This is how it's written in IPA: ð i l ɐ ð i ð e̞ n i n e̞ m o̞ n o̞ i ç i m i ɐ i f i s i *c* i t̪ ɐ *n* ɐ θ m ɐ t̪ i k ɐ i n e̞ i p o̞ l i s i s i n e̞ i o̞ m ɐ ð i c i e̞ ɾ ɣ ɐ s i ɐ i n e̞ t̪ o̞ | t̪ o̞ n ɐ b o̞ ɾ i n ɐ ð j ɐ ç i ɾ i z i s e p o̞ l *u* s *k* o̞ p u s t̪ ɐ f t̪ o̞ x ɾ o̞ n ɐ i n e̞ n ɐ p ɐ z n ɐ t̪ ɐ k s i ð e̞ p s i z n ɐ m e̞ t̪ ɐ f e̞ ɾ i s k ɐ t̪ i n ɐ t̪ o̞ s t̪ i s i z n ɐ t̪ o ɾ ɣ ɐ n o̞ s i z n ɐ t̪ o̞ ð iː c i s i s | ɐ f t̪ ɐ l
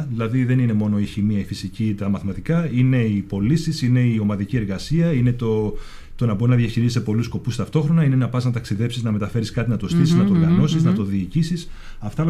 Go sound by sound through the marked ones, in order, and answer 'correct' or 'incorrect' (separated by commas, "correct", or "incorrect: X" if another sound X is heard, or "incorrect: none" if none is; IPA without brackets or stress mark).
correct, incorrect: m, correct, correct